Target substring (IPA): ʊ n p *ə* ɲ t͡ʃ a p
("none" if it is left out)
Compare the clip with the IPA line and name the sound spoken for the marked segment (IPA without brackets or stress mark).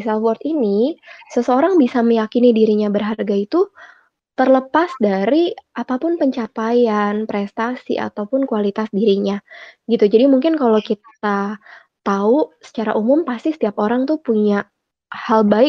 ə